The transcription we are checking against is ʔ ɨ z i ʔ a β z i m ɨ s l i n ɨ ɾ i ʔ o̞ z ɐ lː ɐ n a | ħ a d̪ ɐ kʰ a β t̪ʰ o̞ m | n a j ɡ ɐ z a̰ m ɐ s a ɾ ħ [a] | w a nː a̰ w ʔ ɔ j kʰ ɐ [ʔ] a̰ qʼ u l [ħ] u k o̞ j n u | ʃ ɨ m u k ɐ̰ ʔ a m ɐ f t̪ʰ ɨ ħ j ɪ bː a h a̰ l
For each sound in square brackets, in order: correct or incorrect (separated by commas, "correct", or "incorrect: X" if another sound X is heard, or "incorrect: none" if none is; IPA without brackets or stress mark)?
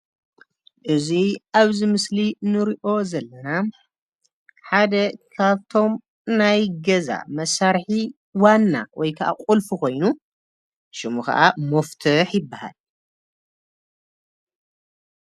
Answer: incorrect: i, correct, incorrect: f